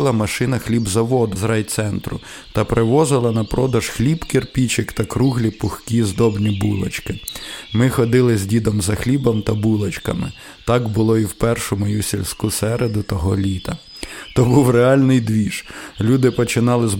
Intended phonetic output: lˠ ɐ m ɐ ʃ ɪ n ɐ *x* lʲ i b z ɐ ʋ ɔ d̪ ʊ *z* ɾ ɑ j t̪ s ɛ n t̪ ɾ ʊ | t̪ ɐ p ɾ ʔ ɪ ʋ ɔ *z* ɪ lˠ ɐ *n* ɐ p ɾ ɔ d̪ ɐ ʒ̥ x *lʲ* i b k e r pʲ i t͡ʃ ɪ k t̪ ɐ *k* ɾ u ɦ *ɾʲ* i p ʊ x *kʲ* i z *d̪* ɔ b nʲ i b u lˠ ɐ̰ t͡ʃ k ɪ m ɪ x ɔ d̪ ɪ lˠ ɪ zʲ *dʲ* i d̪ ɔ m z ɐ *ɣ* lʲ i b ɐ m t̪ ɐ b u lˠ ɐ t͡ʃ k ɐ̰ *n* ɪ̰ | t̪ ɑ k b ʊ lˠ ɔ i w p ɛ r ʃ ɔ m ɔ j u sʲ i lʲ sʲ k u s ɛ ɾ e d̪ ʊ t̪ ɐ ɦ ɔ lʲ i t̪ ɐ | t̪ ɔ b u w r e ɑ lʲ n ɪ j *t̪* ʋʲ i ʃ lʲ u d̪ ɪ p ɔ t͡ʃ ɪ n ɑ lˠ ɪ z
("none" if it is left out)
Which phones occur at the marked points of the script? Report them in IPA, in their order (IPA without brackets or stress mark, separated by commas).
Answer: x, z, z, n, lʲ, k, lʲ, kʲ, d̪, dʲ, x, m, d̪